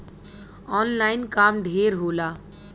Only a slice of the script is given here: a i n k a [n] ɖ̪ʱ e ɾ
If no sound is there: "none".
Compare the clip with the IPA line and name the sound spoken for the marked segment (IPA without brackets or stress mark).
m